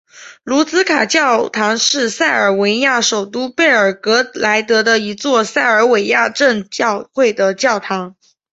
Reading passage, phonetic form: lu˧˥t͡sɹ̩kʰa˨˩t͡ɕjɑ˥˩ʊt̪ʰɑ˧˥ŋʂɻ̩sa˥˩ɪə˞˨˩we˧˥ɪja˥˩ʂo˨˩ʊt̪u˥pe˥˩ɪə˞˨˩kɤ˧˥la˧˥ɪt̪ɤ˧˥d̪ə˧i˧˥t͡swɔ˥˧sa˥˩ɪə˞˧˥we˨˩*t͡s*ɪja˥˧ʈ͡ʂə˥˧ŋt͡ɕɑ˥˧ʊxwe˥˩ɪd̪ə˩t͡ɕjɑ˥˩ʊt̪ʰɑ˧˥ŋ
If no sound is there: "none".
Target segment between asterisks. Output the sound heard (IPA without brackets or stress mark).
none